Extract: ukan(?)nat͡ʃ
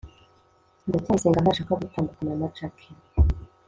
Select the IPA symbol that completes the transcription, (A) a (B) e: A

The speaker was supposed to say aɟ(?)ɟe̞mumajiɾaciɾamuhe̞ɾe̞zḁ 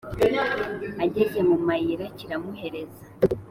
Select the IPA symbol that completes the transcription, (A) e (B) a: A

